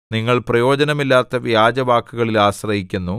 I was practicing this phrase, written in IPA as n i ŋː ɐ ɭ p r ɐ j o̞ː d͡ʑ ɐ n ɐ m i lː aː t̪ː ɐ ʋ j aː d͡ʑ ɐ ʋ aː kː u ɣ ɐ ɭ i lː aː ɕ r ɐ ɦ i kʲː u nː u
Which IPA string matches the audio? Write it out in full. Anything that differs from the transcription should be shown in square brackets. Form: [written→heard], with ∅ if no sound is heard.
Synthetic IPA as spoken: n i ŋː ɐ ɭ p r ɐ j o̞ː d͡ʑ ɐ n ɐ m i lː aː t̪ː ɐ ʋ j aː d͡ʑ ɐ ʋ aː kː u ɣ ɐ ɭ i [lː→l] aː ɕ r ɐ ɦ i kʲː u nː u

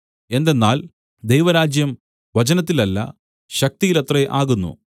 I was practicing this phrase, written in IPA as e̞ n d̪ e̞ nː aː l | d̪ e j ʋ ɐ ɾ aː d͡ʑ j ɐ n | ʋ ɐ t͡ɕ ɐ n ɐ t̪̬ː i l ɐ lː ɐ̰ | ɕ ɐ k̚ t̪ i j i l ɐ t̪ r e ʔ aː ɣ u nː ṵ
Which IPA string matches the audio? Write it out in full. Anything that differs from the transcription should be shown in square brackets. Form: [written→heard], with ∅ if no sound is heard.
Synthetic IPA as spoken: e̞ n d̪ e̞ nː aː l | d̪ e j ʋ ɐ ɾ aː d͡ʑ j ɐ [n→m] | ʋ ɐ t͡ɕ ɐ n ɐ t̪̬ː i l ɐ lː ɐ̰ | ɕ ɐ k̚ t̪ i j i l ɐ t̪ r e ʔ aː ɣ u nː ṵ

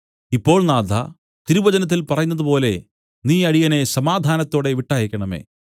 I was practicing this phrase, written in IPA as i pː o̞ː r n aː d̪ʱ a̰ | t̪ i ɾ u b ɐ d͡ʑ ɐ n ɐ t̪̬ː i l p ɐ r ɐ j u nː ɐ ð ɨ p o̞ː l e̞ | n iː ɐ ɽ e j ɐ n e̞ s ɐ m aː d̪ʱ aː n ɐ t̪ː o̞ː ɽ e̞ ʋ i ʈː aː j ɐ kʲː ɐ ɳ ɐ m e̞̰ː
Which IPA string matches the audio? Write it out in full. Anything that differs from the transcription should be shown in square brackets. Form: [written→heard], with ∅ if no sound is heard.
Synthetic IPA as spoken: i pː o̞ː [r→ɭ] n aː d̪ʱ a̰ | t̪ i ɾ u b ɐ d͡ʑ ɐ n ɐ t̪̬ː i l p ɐ r ɐ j u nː ɐ ð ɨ p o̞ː l e̞ | n iː ɐ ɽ [e→i] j ɐ n e̞ s ɐ m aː d̪ʱ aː n ɐ t̪ː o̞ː ɽ e̞ ʋ i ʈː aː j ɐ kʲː ɐ ɳ ɐ m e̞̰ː

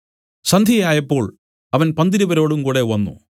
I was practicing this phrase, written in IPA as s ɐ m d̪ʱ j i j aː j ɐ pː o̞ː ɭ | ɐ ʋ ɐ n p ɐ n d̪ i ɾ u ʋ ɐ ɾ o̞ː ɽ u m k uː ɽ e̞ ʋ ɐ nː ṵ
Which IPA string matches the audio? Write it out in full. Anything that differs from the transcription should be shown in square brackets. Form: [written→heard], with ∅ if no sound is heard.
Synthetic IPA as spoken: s ɐ [m→n] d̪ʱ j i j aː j ɐ pː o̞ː ɭ | ɐ ʋ ɐ n p ɐ n d̪ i ɾ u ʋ ɐ ɾ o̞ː ɽ u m k uː ɽ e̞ ʋ ɐ nː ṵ

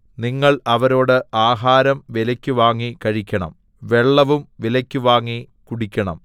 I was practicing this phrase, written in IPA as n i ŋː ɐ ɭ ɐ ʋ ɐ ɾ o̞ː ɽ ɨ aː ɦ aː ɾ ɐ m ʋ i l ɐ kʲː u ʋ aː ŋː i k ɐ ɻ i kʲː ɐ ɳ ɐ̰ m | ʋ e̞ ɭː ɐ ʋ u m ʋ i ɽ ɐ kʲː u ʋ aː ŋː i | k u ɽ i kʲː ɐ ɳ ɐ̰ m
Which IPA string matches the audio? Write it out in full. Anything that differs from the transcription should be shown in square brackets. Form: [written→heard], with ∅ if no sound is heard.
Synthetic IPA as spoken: n i ŋː ɐ ɭ ɐ ʋ ɐ ɾ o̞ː ɽ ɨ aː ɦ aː ɾ ɐ m ʋ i l ɐ kʲː u ʋ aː ŋː i k ɐ ɻ i kʲː ɐ ɳ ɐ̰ m | ʋ e̞ ɭː ɐ ʋ u m ʋ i [ɽ→l] ɐ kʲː u ʋ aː ŋː i | k u ɽ i kʲː ɐ ɳ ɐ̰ m

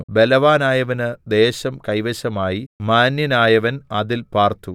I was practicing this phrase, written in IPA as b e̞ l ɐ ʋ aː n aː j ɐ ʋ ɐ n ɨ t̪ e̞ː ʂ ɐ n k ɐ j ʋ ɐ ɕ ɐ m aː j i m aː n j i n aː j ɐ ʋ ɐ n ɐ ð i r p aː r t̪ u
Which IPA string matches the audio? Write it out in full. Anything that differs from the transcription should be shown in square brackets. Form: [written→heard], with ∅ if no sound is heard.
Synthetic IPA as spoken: b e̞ l ɐ ʋ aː n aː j ɐ ʋ ɐ n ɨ [t̪→d̪] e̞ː [ʂ→ɕ] ɐ [n→m] k ɐ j ʋ ɐ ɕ ɐ m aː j i m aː n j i n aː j ɐ ʋ ɐ n ɐ ð i [r→l] p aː r t̪ u

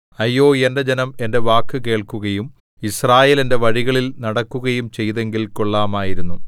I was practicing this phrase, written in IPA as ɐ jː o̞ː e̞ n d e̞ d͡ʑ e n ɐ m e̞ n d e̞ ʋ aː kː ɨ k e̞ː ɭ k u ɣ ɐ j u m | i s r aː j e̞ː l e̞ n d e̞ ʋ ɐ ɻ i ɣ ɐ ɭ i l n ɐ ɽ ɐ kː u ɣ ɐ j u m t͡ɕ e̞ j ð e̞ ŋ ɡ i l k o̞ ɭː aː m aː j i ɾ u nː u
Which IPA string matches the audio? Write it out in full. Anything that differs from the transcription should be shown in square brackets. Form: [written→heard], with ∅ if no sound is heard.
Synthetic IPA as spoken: ɐ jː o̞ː e̞ n d e̞ d͡ʑ e n ɐ m e̞ n d e̞ ʋ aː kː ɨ k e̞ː ɭ k u ɣ ɐ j u m | i s r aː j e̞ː l e̞ n d e̞ ʋ ɐ ɻ i ɣ ɐ ɭ i l n ɐ ɽ ɐ kː u ɣ ɐ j u m t͡ɕ e̞ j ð e̞ ŋ ɡ i l k o̞ ɭː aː m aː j i ɾ u nː u

